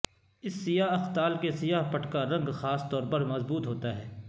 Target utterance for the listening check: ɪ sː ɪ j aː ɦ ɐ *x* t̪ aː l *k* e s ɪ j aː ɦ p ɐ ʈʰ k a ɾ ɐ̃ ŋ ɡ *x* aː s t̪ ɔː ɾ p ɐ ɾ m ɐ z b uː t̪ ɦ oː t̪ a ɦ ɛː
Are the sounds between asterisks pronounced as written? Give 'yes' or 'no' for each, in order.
yes, yes, yes

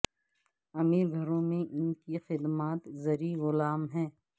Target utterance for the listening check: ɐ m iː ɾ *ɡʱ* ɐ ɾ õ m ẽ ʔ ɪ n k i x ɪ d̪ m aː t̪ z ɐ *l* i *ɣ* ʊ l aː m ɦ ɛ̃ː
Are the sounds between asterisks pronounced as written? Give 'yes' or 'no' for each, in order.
yes, no, yes

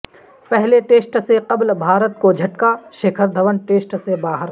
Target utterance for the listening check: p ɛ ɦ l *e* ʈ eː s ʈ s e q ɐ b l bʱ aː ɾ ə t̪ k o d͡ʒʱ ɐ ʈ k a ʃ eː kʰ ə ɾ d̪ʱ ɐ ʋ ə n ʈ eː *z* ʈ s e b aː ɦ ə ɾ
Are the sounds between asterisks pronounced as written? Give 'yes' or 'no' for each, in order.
yes, no

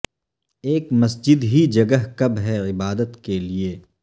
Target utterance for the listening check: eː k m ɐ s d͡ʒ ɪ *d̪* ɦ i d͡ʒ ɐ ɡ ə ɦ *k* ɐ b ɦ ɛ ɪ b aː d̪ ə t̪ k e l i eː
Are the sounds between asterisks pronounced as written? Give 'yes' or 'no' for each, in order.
yes, yes

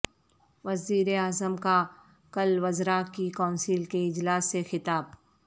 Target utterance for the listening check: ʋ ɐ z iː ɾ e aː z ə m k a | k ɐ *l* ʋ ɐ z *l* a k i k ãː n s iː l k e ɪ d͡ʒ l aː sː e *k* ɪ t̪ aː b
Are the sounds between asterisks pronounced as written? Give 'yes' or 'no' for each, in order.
yes, no, no

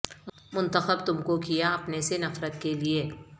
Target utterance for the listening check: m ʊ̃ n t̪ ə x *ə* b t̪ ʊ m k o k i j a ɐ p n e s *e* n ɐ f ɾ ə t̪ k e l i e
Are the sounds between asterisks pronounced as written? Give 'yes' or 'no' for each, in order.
yes, yes

